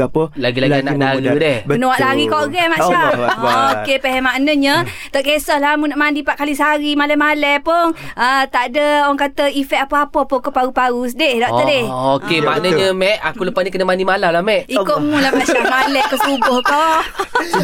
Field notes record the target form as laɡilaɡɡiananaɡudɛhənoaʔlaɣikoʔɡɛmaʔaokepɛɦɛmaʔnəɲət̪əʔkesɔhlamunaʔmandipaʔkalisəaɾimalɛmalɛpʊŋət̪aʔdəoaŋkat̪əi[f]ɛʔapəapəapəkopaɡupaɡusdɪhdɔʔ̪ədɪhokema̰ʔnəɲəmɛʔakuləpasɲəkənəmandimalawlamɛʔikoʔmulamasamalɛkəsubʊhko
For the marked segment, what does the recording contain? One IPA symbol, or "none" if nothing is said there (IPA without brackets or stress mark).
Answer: f